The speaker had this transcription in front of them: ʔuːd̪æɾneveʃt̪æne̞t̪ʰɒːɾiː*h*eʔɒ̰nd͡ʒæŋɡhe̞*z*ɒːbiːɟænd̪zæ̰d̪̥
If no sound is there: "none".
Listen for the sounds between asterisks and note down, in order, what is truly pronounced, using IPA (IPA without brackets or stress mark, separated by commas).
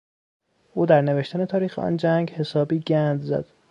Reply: x, s